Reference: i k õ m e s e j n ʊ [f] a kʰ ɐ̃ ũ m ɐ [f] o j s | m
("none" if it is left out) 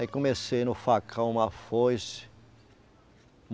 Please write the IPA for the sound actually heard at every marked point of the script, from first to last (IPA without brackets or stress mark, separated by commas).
f, f